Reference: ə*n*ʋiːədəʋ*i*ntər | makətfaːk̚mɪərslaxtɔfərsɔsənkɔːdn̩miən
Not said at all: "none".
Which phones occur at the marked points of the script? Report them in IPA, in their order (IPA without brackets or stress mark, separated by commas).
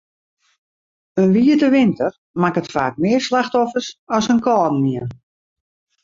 n, ɪ